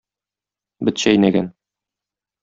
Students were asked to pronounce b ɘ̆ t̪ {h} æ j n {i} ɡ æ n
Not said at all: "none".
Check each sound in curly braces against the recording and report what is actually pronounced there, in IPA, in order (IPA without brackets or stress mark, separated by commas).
ɕ, æ